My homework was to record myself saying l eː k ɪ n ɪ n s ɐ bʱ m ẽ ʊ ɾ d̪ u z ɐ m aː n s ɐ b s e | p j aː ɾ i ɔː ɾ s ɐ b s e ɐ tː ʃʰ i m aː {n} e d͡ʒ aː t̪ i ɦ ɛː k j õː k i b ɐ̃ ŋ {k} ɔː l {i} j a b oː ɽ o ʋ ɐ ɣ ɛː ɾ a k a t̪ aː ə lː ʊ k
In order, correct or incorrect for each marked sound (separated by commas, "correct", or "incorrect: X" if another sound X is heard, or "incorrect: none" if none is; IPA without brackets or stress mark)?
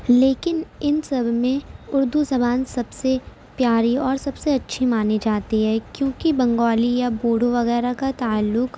correct, incorrect: ɡ, correct